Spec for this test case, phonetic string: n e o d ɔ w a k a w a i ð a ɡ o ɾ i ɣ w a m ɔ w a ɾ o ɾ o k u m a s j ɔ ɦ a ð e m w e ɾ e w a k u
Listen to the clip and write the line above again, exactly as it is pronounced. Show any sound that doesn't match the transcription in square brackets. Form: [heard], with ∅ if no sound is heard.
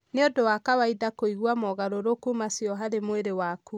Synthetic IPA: n e o d [o] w a k a w a i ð a [k] o [∅] i ɣ w a m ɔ [ɣ] a ɾ o ɾ o k u m a s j ɔ ɦ a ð e m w e ɾ e w a k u